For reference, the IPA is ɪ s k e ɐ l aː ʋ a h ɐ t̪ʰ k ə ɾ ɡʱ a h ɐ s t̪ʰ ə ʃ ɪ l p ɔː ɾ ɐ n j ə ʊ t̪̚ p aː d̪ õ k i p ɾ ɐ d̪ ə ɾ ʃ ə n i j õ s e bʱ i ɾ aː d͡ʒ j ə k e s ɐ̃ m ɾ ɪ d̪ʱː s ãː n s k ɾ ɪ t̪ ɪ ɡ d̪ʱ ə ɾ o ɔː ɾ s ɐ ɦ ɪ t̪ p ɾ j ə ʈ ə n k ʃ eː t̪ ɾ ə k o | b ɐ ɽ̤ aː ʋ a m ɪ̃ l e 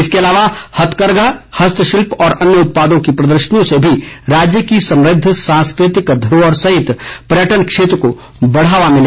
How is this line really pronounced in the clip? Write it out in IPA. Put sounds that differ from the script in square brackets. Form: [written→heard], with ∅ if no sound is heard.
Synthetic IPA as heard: ɪ s k e ɐ l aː ʋ a h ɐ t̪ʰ k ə ɾ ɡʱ a h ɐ s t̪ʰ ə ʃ ɪ l p ɔː ɾ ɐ n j ə ʊ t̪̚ p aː d̪ õ k i p ɾ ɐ d̪ ə ɾ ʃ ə n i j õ s e bʱ i ɾ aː d͡ʒ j ə k [e→i] s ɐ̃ m ɾ ɪ d̪ʱː s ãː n s k ɾ ɪ t̪ ɪ [ɡ→k] d̪ʱ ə ɾ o ɔː ɾ s ɐ ɦ ɪ t̪ p ɾ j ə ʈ ə n k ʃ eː t̪ ɾ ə k o | b ɐ ɽ̤ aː ʋ a m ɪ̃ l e